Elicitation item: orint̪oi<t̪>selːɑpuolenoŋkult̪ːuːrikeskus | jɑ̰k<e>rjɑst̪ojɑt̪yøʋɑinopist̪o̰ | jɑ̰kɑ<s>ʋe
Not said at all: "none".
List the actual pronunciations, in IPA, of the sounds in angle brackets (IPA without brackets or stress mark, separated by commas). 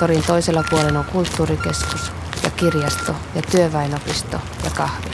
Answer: none, i, h